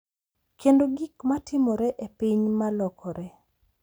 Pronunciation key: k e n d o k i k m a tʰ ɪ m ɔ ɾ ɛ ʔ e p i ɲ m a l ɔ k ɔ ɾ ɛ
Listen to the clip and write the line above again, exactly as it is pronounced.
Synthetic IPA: k e n d o ɡ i k m a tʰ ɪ m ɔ ɾ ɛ ʔ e p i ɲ m a l ɔ k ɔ ɾ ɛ

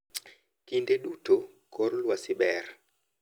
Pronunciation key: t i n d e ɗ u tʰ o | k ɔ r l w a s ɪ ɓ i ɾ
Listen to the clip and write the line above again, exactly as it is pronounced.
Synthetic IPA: k i n d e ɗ u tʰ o | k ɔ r l w a s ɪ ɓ ɛ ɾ

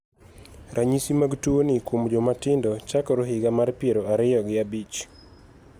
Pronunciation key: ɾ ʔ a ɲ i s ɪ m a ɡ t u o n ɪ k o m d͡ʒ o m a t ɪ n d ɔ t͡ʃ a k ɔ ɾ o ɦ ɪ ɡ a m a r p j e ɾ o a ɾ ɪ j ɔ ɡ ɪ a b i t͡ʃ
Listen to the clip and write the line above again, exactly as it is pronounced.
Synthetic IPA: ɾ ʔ a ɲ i s i m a ɡ t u o n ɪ k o m d͡ʒ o m a t ɪ n d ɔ t͡ʃ a k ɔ ɾ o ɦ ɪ ɡ a m a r p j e ɾ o a ɾ ɪ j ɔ ɡ ɪ a b i t͡ʃ

